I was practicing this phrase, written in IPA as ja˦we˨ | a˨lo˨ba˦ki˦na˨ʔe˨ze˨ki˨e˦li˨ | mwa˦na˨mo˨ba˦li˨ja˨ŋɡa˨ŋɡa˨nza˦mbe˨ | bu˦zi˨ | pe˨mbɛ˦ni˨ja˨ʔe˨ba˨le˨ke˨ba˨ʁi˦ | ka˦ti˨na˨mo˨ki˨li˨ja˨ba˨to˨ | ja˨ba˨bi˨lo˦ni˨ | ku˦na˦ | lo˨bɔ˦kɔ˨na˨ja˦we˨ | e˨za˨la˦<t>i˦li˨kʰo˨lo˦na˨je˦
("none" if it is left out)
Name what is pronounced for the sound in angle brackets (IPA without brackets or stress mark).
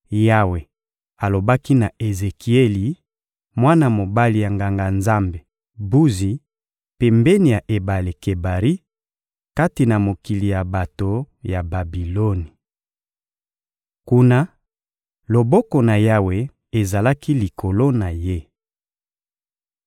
k